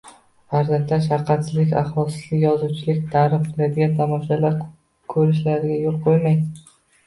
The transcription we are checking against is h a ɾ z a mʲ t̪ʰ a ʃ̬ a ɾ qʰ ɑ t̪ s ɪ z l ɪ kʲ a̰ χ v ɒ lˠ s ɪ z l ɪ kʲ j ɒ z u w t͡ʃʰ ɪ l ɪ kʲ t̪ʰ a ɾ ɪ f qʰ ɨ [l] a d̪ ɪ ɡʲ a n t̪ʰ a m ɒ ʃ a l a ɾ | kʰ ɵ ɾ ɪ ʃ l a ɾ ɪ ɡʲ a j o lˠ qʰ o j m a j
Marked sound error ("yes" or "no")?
no